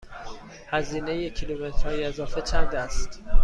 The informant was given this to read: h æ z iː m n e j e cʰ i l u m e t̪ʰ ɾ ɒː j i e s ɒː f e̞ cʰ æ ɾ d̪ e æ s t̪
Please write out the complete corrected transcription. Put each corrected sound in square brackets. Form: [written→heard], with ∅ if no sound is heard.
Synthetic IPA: h æ z iː [m→∅] n e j e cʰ i l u m e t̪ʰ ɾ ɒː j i e [s→z] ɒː f e̞ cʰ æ ɾ d̪ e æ s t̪

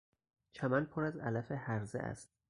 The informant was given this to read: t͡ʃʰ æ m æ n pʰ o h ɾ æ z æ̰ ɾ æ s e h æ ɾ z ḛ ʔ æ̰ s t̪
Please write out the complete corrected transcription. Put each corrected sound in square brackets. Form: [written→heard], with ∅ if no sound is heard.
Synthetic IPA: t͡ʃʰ æ m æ n pʰ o [h→∅] ɾ æ z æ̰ [ɾ→l] æ [s→f] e h æ ɾ z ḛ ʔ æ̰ s t̪

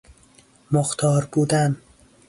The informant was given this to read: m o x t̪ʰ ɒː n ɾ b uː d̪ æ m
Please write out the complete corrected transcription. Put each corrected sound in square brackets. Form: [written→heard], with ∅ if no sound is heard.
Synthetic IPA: m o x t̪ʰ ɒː [n→∅] ɾ b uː d̪ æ [m→n]

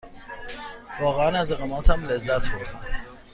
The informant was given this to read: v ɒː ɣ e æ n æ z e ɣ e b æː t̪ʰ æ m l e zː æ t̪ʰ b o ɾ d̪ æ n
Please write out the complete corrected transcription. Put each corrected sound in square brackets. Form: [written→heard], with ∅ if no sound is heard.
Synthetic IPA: v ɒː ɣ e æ n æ z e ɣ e [b→m] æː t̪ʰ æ m l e zː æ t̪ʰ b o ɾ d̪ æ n

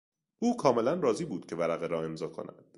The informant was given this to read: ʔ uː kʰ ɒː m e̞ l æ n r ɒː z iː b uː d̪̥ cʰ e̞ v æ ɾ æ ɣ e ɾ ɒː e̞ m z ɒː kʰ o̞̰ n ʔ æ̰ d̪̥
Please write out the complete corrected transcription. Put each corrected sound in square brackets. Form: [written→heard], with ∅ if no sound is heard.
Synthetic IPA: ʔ uː kʰ ɒː m e̞ l æ n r ɒː z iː b uː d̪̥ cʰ e̞ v æ ɾ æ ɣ e ɾ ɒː e̞ m z ɒː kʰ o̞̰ n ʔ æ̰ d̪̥

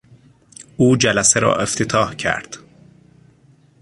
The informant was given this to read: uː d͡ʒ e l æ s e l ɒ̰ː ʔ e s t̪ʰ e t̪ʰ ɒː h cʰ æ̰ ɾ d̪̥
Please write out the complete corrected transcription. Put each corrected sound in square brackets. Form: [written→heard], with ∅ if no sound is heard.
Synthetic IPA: uː d͡ʒ [e→æ] l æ s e [l→ɾ] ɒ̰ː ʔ e [s→f] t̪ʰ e t̪ʰ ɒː h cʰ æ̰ ɾ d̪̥

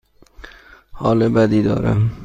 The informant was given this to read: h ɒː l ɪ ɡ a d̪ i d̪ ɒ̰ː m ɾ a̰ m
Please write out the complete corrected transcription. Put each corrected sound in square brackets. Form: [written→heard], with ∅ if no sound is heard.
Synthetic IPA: h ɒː l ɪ [ɡ→b] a d̪ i d̪ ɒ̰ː [m→∅] ɾ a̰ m

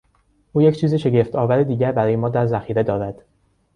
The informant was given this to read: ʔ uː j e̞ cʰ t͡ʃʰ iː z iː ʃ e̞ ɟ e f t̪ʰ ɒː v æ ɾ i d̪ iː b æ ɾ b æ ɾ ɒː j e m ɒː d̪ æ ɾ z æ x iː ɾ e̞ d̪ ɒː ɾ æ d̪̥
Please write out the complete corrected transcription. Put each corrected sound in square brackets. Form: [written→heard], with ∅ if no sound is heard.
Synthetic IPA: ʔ uː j e̞ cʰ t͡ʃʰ iː z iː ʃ e̞ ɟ e f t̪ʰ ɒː v æ ɾ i d̪ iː [b→ɟ] æ ɾ b æ ɾ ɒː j e m ɒː d̪ æ ɾ z æ x iː ɾ e̞ d̪ ɒː ɾ æ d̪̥

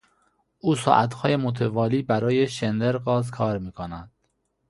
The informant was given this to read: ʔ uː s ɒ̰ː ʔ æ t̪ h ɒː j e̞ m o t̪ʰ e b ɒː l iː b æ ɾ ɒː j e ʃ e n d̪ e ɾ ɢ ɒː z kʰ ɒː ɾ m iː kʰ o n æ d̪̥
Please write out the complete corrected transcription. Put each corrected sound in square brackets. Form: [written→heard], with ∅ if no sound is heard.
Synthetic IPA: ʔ uː s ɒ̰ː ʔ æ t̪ h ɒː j e̞ m o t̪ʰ e [b→v] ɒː l iː b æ ɾ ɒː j e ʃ e n d̪ e ɾ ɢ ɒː z kʰ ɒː ɾ m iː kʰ o n æ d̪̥

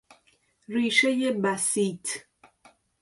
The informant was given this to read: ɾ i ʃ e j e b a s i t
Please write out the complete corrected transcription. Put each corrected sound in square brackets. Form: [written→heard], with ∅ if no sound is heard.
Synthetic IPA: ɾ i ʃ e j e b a s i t

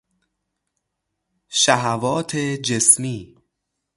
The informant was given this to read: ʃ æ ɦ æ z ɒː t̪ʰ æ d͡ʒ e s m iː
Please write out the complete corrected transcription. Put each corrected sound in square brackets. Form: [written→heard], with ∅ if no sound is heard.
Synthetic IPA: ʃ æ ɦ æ [z→v] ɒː t̪ʰ [æ→e] d͡ʒ e s m iː

